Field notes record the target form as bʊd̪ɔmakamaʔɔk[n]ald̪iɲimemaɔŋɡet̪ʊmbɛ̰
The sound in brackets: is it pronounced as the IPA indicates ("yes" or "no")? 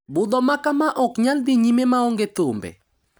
no